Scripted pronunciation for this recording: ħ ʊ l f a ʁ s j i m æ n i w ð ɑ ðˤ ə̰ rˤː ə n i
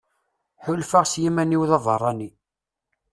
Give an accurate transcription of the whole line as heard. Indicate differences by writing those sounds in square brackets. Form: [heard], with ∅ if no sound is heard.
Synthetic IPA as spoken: ħ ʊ l f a ʁ s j i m æ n i w ð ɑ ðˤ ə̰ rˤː [ɑ] n i